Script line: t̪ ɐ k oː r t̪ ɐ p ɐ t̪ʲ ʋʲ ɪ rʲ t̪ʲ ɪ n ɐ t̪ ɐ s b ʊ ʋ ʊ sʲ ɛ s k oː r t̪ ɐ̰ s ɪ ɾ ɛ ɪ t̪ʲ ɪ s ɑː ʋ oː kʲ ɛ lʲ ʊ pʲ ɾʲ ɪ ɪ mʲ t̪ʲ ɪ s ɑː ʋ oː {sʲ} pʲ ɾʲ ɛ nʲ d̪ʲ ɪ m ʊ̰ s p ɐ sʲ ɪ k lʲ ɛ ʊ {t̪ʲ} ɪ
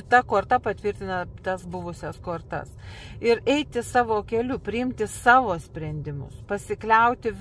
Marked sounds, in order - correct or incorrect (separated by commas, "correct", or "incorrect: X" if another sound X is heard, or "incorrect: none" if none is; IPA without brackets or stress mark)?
correct, correct